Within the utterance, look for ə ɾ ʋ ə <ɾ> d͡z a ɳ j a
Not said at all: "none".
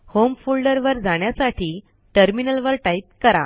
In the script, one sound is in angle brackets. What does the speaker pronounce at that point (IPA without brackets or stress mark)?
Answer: ɾ